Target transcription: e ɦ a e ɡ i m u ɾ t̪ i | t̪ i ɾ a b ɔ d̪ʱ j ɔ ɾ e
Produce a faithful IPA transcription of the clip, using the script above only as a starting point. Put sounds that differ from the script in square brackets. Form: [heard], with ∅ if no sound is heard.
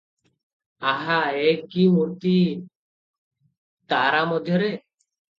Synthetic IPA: [a] ɦ a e [k] i m u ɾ t̪ i | t̪ [a] ɾ a [m] ɔ d̪ʱ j ɔ ɾ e